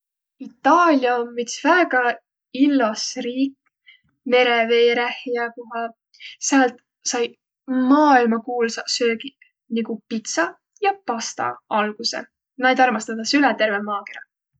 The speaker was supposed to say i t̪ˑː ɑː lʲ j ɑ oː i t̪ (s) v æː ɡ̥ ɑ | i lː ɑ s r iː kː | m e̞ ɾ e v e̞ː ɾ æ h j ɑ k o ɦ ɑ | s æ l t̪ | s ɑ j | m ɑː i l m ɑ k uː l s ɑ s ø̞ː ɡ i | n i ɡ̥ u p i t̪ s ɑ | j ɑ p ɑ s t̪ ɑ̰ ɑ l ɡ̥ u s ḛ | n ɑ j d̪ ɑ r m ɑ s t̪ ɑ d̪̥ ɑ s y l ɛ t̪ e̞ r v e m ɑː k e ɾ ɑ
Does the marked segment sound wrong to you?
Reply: no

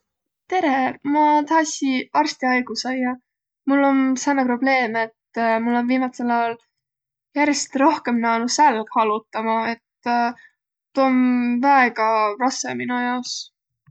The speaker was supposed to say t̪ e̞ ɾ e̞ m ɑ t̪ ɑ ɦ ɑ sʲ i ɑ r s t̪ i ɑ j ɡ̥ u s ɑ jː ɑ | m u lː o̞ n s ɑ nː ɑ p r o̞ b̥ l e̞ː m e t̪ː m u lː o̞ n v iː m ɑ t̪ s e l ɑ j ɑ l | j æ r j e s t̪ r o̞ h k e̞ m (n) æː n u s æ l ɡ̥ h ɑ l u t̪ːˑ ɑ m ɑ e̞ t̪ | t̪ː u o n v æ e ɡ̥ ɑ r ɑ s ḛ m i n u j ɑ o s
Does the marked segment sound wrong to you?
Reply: no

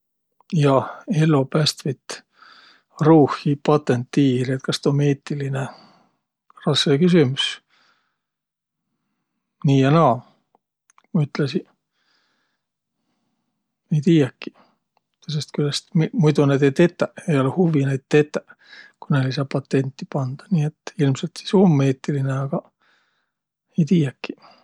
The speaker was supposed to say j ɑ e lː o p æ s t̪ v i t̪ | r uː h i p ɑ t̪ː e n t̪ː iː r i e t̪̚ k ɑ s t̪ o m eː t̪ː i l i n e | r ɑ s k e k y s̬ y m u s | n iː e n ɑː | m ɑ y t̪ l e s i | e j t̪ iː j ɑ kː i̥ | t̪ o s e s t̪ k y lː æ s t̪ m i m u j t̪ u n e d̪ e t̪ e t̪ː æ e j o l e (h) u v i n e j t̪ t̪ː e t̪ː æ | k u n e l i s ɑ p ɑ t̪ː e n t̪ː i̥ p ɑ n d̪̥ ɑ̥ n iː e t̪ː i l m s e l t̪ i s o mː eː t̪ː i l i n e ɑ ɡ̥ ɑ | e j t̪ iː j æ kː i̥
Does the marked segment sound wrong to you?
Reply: no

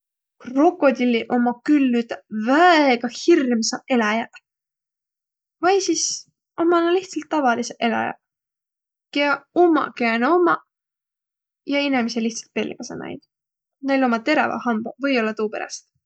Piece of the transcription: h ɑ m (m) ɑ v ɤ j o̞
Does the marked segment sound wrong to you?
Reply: yes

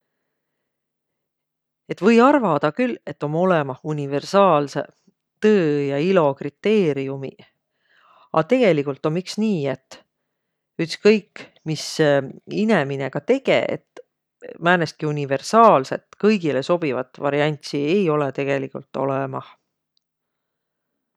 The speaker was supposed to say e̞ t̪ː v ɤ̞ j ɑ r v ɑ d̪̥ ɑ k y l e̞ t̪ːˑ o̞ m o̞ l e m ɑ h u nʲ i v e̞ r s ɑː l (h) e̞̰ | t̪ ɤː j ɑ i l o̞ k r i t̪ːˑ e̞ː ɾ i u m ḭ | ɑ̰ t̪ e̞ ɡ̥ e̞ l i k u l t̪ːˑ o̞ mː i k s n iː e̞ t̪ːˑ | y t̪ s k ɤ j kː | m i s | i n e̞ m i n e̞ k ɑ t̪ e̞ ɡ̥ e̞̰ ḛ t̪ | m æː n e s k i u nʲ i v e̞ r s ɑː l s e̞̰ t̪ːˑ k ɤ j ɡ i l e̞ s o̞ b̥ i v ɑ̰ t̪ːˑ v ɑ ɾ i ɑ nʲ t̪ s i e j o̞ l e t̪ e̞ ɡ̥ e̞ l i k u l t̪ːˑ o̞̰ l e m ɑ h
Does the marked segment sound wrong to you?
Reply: yes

